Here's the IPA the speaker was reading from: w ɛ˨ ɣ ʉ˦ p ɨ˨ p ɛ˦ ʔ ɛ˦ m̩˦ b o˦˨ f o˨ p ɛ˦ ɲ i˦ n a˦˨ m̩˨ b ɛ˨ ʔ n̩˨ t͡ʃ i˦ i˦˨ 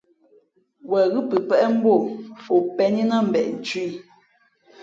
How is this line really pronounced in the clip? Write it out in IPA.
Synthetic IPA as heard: w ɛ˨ ɣ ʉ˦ p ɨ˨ p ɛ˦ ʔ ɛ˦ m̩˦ b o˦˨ f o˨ p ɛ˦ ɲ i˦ n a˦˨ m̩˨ b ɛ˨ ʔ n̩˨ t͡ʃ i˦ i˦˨